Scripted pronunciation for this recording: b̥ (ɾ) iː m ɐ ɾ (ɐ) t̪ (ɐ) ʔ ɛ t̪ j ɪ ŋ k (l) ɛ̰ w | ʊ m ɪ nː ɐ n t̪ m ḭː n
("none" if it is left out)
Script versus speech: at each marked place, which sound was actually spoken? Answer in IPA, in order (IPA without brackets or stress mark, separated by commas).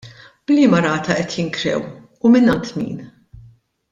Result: l, ɐː, ɐ, ɾ